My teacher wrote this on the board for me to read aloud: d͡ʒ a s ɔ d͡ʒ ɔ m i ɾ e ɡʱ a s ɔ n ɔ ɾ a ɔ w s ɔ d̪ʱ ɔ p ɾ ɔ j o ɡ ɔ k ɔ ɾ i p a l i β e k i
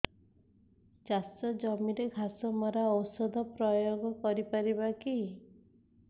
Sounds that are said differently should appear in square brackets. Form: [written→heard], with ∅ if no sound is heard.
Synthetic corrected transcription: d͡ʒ a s ɔ d͡ʒ ɔ m i ɾ e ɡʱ a s ɔ [n→m] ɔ ɾ a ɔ w s ɔ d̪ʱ ɔ p ɾ ɔ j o ɡ ɔ k ɔ ɾ i p a [l→ɾ] i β [e→a] k i